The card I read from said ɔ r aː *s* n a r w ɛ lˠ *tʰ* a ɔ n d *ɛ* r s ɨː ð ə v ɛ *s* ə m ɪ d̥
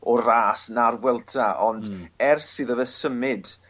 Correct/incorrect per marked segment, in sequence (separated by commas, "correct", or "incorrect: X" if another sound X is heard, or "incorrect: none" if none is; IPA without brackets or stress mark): correct, correct, correct, correct